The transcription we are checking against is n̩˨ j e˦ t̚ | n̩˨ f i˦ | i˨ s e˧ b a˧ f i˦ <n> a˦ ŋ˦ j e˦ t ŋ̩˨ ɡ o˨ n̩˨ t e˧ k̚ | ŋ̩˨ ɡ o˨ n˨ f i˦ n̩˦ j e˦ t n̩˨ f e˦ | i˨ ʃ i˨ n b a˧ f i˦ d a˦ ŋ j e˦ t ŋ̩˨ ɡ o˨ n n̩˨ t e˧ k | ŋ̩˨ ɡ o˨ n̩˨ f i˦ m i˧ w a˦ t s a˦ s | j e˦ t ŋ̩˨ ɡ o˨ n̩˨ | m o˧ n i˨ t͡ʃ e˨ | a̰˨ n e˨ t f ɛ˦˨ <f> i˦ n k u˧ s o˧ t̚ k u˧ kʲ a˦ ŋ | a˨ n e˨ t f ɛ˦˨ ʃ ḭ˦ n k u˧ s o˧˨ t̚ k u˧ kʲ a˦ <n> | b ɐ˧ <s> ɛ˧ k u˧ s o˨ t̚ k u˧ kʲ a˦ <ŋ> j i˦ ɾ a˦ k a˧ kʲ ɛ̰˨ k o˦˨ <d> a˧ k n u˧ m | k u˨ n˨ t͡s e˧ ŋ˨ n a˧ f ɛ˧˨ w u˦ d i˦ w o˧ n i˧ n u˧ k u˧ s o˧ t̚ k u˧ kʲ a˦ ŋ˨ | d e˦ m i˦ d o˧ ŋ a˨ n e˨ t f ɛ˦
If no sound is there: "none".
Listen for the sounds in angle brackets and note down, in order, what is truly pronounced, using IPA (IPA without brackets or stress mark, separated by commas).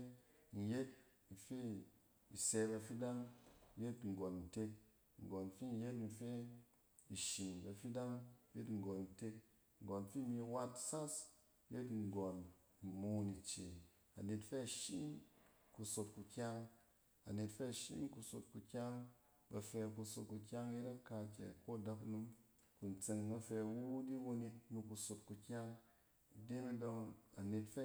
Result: d, ʃ, ŋ, f, ŋ, d